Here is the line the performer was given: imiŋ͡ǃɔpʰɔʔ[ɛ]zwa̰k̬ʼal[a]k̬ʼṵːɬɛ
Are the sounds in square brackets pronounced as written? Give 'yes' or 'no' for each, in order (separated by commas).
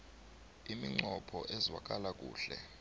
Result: yes, yes